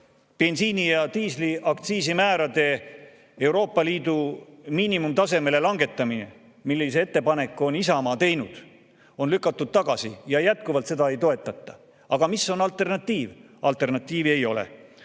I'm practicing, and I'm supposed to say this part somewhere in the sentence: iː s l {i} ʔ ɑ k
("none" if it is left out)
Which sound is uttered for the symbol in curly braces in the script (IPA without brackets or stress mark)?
i